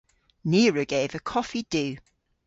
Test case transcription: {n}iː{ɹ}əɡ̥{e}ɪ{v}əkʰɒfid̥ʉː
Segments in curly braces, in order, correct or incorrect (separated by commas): correct, correct, correct, correct